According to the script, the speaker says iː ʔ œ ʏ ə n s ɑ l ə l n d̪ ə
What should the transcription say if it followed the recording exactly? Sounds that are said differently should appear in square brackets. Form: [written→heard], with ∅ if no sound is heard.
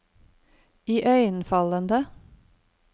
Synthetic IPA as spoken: iː ʔ œ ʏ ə n [s→f] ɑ l ə [l→∅] n d̪ ə